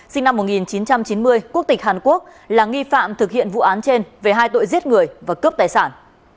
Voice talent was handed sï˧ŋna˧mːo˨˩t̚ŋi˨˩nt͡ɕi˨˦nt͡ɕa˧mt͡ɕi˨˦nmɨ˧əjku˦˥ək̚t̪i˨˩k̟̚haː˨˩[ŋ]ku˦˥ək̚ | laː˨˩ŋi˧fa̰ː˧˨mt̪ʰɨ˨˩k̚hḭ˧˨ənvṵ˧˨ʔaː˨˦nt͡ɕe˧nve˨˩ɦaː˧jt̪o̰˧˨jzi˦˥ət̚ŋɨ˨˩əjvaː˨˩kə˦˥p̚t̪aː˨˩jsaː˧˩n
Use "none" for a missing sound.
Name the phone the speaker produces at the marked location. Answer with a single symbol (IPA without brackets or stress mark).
n